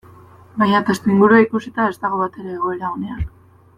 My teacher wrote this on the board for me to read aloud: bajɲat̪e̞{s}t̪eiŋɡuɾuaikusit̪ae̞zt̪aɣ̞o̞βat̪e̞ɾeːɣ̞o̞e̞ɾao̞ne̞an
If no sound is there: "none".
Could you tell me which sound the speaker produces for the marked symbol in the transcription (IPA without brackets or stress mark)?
s